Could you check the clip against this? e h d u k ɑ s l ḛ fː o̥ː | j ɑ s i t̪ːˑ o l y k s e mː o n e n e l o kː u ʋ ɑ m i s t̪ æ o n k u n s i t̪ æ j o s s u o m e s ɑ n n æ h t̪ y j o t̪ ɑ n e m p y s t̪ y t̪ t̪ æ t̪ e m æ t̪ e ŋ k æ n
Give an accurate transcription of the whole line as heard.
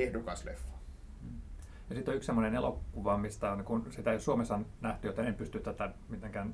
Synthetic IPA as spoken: e h d u k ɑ s l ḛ fː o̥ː | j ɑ s i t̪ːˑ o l y k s e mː o n e n e l o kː u ʋ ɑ m i s t̪ æ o n k u n s i t̪ æ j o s s u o m e s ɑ n n æ h t̪ y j o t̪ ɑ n e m p y s t̪ y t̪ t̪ æ t̪ æ m i t̪ e ŋ k æ n